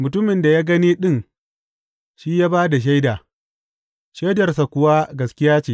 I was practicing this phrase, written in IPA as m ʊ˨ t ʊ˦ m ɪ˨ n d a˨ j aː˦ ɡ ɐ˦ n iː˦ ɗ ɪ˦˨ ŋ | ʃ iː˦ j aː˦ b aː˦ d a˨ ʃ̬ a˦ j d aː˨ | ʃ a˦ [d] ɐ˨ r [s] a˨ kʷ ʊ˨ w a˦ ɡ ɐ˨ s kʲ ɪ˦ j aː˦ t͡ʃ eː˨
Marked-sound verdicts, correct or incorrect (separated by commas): correct, correct